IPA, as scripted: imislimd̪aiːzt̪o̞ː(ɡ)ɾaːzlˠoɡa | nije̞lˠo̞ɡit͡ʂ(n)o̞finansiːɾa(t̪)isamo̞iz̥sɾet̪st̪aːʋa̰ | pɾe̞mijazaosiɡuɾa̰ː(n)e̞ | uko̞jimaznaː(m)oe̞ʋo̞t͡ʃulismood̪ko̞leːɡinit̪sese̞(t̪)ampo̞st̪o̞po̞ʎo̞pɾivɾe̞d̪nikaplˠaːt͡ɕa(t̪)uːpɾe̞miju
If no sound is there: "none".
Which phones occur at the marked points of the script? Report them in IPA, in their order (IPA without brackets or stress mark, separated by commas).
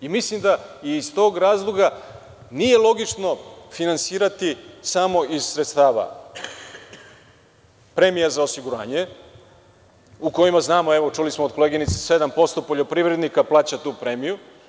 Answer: ɡ, n, t̪, ɲ, m, d̪, t̪